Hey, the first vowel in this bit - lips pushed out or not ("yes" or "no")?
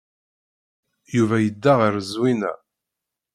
yes